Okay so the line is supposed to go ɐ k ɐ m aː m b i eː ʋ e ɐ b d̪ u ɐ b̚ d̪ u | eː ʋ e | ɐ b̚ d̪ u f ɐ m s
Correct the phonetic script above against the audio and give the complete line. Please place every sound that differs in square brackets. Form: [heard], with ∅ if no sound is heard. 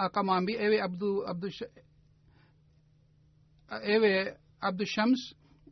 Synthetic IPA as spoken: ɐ k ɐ m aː m b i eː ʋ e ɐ b d̪ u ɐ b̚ d̪ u | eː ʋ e | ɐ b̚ d̪ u [ʃ] ɐ m s